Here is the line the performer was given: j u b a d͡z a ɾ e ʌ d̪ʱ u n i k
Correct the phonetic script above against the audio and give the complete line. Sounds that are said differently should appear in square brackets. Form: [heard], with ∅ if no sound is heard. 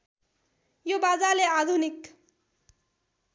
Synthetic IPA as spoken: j [o] b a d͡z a [l] e [a] d̪ʱ u n i k